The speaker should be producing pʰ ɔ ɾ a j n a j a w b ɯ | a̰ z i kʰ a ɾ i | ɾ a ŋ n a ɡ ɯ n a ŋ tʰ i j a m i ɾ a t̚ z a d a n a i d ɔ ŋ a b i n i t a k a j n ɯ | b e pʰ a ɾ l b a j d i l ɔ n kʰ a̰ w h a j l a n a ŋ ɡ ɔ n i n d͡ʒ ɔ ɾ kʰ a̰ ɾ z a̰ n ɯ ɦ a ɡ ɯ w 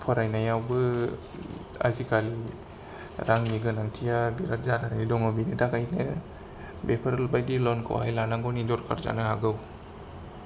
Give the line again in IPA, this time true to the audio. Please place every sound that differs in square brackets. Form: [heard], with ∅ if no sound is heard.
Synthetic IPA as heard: pʰ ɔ ɾ a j n a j a w b ɯ | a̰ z i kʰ a [l] i | ɾ a ŋ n [i] ɡ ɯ n a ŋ tʰ i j a [b] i ɾ a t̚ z a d a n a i d ɔ ŋ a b i n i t a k a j n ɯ | b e pʰ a ɾ l b a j d i l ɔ n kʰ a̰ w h a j l a n a ŋ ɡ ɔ n i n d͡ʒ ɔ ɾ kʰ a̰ ɾ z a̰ n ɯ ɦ a ɡ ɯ w